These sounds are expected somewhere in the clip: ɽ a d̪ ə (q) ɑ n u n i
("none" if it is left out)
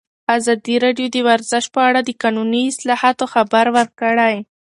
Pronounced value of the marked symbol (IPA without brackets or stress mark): k